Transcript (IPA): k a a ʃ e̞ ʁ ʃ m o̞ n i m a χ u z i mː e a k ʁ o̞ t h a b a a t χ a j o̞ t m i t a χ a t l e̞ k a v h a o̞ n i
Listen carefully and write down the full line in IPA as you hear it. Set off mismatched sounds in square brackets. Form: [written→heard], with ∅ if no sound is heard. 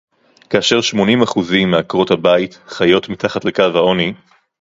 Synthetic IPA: k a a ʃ e̞ ʁ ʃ m o̞ n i m a χ u z i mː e a k ʁ o̞ t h a b a [a→i] t χ a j o̞ t m i t a χ a t l e̞ k a v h a o̞ n i

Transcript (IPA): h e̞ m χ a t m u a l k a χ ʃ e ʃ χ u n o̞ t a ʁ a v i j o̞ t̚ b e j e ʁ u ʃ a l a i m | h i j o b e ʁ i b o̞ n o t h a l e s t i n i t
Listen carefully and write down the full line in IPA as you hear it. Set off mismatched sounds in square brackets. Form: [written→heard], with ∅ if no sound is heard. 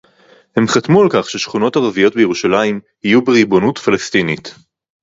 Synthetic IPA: h e̞ m χ a t m u a l k a χ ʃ e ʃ χ u n o̞ t a ʁ a v i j o̞ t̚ b e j e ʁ u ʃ a l a i m | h i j [o→u] b e ʁ i b o̞ n [o→u] t [h→f] a l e s t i n i t

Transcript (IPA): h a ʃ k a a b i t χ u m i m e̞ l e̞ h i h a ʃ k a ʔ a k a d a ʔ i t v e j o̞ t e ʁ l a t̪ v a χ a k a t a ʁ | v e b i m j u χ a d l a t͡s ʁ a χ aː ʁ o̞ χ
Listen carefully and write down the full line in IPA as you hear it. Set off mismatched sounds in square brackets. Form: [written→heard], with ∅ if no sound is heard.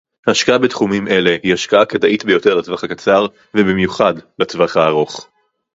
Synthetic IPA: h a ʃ k a a b [i→e] t χ u m i m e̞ l e̞ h i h a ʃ k a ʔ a k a d a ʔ i t [v→b] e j o̞ t e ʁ l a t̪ v a χ a k a [t→t͡s] a ʁ | v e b i m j u χ a d l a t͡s [ʁ→v] a χ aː ʁ o̞ χ

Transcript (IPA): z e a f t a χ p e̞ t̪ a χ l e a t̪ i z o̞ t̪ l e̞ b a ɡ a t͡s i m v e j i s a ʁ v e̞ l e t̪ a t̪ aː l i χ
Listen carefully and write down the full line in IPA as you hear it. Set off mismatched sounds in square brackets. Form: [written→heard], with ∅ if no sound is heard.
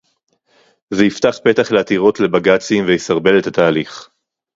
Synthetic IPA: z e [a→i] f t a χ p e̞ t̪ a χ l e a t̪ i [z→ʁ] o̞ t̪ l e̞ b a ɡ a t͡s i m v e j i s a ʁ [v→b] e̞ l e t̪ a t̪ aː l i χ

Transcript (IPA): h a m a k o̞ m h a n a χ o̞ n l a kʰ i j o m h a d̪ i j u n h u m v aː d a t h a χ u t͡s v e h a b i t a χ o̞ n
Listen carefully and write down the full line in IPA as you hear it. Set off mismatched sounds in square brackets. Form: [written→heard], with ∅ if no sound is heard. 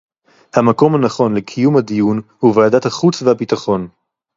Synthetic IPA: h a m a k o̞ m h a n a χ o̞ n l [a→e] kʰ i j [o→u] m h a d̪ i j u n h u [m→∅] v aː d a t h a χ u t͡s v e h a b i t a χ o̞ n

